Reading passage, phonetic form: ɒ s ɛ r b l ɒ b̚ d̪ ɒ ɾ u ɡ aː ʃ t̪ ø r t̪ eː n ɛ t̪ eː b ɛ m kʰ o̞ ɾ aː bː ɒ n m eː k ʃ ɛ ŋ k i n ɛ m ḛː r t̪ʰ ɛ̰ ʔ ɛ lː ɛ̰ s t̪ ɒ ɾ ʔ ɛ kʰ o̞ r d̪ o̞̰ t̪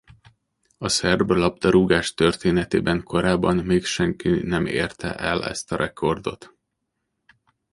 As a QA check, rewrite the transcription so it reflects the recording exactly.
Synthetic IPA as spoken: ɒ s ɛ r b l ɒ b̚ d̪ ɒ ɾ u ɡ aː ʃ t̪ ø r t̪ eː n ɛ t̪ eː b ɛ ŋ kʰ o̞ ɾ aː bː ɒ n m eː k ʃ ɛ ŋ k i n ɛ m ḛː r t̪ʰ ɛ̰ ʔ ɛ l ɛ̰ s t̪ ɒ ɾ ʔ ɛ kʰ o̞ r d̪ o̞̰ t̪